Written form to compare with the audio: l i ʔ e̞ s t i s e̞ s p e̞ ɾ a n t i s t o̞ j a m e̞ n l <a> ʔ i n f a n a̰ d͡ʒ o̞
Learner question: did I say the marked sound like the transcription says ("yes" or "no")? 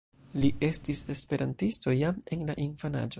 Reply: yes